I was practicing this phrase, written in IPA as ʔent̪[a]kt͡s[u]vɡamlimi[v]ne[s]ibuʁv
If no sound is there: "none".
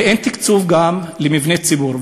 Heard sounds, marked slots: i, u, v, t͡s

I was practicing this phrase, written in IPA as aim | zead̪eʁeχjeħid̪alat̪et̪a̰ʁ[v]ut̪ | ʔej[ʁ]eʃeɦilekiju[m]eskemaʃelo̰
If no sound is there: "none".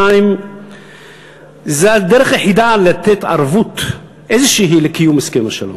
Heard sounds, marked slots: v, z, m

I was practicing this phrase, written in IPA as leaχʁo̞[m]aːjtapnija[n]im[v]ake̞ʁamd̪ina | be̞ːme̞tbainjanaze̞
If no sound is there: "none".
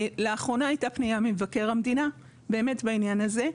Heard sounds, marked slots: n, m, v

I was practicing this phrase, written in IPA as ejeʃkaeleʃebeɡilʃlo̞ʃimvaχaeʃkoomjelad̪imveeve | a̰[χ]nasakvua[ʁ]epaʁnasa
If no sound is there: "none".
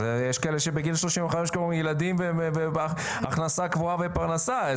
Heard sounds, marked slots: χ, v

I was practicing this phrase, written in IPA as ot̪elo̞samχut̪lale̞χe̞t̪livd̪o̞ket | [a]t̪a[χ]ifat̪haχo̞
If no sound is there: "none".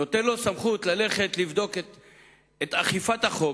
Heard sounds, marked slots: e, χ

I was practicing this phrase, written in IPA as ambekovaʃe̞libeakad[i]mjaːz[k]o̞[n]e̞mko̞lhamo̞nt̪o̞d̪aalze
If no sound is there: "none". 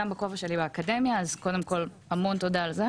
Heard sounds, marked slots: e, k, d

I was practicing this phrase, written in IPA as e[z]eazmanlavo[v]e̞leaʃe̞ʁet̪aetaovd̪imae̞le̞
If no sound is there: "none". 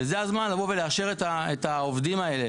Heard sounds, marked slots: z, v

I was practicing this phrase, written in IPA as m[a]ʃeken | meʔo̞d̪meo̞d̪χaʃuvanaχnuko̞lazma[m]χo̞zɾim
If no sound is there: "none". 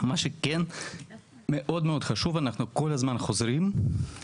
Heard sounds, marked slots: a, n

